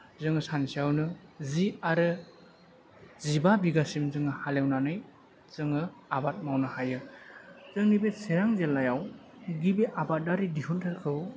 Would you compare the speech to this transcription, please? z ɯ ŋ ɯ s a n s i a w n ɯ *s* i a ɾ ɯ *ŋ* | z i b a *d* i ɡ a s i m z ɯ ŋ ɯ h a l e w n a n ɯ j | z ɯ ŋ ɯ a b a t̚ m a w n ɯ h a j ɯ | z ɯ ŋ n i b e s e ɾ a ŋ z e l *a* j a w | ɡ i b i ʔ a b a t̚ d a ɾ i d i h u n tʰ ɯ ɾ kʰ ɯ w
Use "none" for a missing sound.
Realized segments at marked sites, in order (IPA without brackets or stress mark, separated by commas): z, none, b, a